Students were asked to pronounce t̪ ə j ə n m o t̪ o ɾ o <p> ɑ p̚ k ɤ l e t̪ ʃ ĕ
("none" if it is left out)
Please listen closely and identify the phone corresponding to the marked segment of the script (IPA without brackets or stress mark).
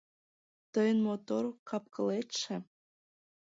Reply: k